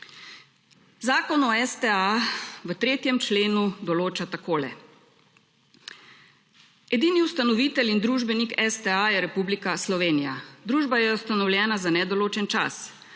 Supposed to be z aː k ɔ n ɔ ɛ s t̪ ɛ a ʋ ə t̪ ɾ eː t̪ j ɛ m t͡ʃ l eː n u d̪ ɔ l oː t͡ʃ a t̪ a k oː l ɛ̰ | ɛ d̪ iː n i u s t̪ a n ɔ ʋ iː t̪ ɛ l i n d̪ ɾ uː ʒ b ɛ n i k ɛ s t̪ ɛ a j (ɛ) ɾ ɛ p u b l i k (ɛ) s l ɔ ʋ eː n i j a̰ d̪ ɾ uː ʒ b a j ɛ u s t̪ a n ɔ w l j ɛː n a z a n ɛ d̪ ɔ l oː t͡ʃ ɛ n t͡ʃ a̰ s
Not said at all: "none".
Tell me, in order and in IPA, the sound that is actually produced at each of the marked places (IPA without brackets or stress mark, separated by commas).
ɛ, a